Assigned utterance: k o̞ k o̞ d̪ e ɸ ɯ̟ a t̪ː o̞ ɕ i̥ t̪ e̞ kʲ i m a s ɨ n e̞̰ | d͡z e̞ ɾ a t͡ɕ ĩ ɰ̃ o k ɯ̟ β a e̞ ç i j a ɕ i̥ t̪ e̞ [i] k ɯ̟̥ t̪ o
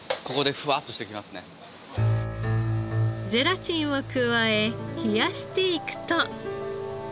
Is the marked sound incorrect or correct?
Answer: correct